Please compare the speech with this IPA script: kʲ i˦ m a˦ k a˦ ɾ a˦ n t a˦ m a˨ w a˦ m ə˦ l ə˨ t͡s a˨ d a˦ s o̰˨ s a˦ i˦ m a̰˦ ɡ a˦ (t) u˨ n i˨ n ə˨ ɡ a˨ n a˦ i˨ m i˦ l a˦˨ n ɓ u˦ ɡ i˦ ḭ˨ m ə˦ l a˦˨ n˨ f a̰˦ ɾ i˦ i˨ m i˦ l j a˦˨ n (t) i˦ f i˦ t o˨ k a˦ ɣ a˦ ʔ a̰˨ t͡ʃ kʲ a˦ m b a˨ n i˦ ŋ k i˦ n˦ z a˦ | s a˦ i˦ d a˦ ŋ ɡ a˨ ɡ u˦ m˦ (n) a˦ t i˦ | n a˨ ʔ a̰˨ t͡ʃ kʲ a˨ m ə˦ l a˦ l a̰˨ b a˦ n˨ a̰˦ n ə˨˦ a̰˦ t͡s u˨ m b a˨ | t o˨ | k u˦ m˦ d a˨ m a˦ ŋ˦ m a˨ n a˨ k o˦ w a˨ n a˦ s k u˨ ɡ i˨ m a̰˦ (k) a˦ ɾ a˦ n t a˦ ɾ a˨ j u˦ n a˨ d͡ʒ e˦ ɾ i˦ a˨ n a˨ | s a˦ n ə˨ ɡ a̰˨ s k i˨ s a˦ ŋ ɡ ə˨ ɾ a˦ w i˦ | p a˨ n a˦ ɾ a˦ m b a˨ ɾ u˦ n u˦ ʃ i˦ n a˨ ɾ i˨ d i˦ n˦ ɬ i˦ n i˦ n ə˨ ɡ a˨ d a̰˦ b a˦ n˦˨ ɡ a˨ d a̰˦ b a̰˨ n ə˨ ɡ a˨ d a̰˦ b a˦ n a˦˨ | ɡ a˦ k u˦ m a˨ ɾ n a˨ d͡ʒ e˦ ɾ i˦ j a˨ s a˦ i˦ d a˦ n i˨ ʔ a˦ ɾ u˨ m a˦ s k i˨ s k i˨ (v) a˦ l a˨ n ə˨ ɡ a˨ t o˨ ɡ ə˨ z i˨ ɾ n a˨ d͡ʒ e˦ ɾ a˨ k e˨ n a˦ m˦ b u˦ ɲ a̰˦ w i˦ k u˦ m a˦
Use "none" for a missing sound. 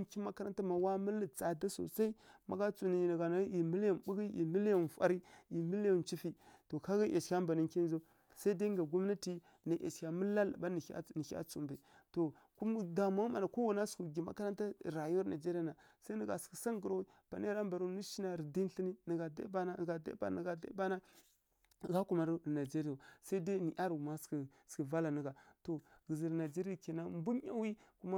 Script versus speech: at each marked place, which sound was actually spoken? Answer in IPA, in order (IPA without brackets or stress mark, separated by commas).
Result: t͡s, t͡ʃ, n, k, v